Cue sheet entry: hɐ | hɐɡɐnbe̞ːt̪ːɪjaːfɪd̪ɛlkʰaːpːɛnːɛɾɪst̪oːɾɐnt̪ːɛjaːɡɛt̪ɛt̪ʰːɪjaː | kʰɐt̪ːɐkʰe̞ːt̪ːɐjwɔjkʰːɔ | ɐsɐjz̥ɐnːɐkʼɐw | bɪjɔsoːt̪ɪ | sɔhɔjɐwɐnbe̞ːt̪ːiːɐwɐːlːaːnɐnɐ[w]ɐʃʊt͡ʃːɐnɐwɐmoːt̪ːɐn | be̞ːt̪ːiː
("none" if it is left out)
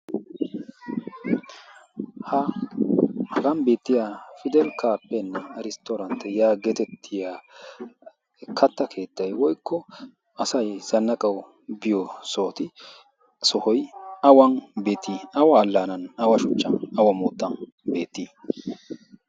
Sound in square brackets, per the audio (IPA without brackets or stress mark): w